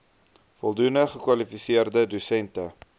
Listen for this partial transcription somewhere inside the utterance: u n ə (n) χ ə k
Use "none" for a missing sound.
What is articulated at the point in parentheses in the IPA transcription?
none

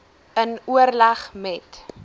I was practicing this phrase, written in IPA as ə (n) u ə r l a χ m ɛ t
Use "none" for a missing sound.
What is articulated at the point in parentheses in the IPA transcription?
n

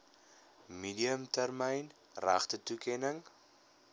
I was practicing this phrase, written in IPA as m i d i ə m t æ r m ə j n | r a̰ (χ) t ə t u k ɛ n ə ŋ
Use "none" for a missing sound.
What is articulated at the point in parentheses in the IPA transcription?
χ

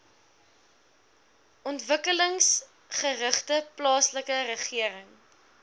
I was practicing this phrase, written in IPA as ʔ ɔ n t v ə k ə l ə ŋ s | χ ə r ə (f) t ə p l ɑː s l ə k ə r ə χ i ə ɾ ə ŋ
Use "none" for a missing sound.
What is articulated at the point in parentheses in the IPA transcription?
χ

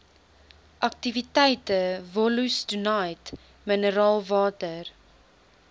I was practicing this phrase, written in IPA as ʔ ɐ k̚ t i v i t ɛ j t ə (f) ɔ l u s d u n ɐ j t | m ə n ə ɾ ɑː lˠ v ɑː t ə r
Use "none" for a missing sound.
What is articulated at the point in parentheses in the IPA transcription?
v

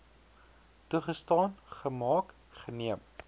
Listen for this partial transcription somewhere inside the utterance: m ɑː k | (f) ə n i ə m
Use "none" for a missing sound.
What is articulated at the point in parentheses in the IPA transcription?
χ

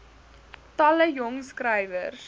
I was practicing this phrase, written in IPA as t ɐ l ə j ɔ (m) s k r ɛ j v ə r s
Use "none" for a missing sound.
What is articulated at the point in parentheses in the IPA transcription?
ŋ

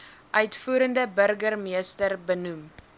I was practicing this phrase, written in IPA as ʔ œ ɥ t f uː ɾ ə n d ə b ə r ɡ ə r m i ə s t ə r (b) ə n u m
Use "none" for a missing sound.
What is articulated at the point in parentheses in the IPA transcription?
b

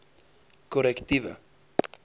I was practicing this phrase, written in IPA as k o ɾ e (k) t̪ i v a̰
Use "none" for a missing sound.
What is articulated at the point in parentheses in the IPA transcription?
k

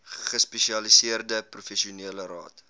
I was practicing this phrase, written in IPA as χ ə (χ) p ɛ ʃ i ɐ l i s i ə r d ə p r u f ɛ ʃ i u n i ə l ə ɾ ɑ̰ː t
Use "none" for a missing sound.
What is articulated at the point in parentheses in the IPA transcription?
s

